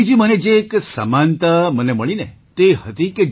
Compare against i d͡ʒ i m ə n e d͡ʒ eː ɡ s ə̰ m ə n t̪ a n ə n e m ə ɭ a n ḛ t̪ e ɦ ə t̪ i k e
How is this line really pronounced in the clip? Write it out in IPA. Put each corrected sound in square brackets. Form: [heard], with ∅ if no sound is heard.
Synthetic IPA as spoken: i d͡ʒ i m ə n e d͡ʒ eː [k] s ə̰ m [a] n t̪ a [m] ə n e m ə ɭ [i] n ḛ t̪ e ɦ ə t̪ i k e